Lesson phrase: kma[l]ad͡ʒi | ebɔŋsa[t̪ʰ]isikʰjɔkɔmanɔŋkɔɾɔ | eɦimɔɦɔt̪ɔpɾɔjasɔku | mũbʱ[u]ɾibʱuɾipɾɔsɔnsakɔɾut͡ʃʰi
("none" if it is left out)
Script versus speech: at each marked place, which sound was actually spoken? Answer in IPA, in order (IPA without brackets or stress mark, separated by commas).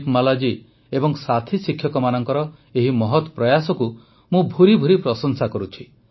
l, t̪ʰ, u